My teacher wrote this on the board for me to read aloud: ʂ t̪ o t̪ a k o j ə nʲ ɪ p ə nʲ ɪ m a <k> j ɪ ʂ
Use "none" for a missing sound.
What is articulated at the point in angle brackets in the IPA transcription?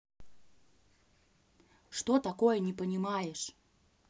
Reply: none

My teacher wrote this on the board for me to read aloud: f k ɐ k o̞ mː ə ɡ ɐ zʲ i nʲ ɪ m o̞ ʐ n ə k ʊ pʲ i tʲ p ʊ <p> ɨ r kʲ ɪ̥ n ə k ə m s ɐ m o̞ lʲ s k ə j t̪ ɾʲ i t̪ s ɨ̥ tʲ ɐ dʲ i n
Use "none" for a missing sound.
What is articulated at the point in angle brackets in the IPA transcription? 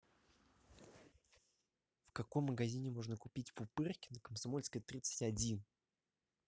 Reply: p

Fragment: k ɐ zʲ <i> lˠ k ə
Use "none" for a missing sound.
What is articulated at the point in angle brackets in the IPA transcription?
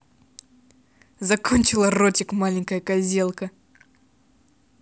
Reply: e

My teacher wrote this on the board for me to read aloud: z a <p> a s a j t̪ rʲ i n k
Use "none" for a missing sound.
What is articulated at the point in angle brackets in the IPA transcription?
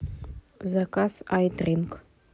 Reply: k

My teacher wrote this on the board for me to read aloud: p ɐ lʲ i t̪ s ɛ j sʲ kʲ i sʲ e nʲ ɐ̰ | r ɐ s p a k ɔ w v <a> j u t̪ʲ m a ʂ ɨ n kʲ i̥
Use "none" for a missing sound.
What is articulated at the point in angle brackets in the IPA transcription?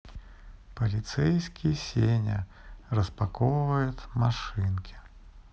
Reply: ɐ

